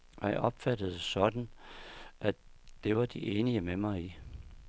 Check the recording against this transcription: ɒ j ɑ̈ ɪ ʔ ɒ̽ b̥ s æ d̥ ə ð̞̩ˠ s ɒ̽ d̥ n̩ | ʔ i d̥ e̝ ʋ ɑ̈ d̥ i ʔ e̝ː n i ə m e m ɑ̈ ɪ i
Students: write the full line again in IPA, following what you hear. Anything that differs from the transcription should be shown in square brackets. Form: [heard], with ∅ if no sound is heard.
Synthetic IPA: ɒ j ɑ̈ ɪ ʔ ɒ̽ b̥ [f] æ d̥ ə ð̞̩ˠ s ɒ̽ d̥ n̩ | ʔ [æ] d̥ e̝ ʋ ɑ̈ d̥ i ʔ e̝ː n i ə m e m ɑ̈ ɪ i